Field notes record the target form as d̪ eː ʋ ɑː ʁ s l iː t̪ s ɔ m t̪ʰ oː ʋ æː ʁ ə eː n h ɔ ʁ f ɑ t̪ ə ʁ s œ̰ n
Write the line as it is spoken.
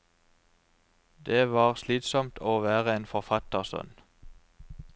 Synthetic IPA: d̪ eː ʋ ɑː ʁ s l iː t̪ s ɔ m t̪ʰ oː ʋ æː ʁ ə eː n f ɔ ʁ f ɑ t̪ ə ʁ s œ̰ n